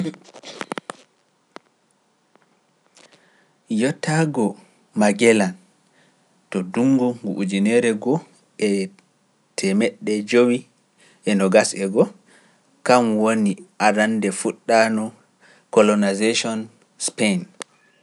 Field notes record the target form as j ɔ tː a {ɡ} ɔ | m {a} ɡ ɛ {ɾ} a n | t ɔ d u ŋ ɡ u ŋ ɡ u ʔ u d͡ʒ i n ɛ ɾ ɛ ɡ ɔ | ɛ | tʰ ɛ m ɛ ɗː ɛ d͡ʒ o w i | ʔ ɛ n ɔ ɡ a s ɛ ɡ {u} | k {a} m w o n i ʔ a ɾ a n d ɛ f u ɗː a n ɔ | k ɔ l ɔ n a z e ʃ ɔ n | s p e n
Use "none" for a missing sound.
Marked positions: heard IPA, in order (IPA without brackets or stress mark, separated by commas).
ɡ, a, l, ɔ, a